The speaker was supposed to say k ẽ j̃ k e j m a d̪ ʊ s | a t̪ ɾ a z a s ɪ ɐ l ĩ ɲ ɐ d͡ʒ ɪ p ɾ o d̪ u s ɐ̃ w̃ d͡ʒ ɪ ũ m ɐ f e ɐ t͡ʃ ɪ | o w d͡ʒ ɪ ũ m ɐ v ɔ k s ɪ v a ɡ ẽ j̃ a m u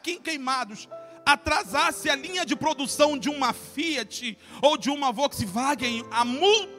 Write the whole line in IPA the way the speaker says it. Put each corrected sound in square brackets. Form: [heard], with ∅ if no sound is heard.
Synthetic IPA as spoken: k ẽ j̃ k e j m a d̪ ʊ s | a t̪ ɾ a z a s ɪ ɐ l ĩ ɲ ɐ d͡ʒ ɪ p ɾ o d̪ u s ɐ̃ w̃ d͡ʒ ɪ ũ m ɐ f [i] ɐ t͡ʃ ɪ | o w d͡ʒ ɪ ũ m ɐ v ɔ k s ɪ v a ɡ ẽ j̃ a m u